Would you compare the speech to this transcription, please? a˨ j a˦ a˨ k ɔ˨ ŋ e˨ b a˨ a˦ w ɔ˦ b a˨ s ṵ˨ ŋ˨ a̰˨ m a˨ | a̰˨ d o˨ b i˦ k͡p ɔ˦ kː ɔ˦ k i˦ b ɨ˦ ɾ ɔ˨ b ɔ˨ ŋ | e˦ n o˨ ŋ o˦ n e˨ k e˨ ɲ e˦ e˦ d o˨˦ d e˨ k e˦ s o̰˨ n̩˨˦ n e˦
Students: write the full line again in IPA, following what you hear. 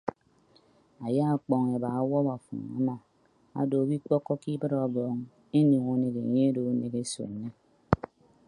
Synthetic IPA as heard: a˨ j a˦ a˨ k͡p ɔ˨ ŋ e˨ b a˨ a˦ w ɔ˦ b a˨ f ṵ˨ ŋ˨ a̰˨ m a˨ | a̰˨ d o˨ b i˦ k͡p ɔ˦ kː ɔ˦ k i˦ b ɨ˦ ɾ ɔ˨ b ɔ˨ ŋ | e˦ n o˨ ŋ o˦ n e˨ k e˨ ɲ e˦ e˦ d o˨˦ n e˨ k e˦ s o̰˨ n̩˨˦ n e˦